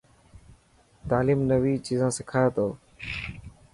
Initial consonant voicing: voiceless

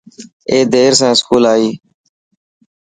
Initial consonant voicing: voiced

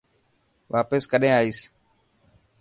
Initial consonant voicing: voiced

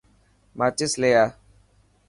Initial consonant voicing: voiced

